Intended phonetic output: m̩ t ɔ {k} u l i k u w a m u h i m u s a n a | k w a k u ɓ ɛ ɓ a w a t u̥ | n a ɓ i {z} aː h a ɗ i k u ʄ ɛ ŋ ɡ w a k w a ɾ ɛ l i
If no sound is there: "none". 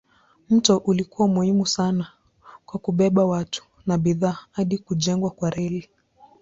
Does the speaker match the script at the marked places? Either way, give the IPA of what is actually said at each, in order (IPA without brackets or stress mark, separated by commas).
ʔ, ð